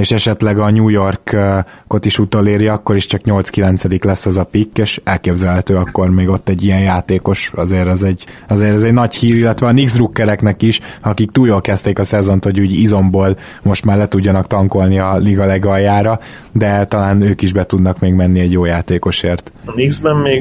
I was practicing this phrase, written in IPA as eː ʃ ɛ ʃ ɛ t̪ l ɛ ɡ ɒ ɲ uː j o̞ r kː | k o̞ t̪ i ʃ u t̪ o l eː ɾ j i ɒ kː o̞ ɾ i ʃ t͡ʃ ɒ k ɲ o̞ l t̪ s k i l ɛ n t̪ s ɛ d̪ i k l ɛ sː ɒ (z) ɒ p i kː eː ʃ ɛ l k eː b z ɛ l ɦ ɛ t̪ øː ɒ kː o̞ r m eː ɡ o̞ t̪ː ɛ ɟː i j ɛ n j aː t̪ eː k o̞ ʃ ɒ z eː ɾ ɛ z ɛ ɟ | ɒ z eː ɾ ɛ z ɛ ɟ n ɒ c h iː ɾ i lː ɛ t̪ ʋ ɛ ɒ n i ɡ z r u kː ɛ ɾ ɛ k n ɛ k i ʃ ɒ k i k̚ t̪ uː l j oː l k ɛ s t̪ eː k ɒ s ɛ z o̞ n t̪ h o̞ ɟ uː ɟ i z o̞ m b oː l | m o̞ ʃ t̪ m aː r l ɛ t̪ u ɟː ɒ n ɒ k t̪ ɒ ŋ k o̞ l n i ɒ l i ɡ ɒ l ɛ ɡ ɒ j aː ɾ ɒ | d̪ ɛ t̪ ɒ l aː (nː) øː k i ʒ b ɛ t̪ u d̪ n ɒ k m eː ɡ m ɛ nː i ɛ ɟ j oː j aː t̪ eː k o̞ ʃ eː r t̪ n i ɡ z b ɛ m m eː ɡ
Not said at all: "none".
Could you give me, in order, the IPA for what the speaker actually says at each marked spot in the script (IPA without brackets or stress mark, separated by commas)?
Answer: z, n